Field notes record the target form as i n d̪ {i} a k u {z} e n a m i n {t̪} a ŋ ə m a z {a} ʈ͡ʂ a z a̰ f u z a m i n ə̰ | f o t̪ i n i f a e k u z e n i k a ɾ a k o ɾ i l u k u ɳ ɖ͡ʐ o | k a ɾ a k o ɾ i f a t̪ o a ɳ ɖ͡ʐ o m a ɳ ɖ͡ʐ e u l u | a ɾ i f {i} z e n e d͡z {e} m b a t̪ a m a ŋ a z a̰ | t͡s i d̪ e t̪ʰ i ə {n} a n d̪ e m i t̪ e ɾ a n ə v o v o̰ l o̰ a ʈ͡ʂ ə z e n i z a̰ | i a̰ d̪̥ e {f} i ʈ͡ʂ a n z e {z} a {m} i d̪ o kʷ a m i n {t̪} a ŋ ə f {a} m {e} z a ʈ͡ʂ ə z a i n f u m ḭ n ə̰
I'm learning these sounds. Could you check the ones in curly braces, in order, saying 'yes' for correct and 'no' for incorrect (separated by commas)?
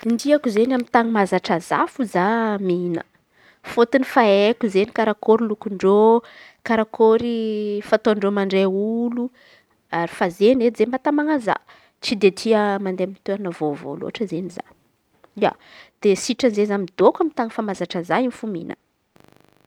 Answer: yes, yes, yes, yes, no, yes, no, no, yes, yes, yes, yes, no